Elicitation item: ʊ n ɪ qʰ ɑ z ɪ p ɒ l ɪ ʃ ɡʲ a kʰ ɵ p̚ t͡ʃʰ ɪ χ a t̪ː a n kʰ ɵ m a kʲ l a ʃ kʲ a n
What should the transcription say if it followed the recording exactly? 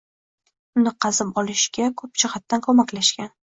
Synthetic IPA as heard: ʊ n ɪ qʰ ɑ z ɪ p ɒ l ɪ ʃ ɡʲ a kʰ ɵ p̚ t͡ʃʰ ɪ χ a t̪ː a n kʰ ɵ m a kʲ l a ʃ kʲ a n